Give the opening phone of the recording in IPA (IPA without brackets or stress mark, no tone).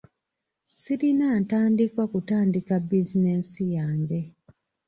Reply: s